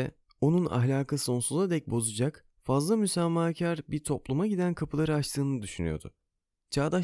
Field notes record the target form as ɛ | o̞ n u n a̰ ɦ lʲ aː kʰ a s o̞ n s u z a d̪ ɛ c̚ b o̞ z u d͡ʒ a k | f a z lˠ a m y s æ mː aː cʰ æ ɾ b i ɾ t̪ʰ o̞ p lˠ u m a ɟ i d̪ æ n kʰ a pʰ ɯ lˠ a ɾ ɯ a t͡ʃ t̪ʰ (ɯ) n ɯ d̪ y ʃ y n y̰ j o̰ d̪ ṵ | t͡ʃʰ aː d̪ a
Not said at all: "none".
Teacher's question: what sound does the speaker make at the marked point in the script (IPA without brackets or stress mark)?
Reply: ɯː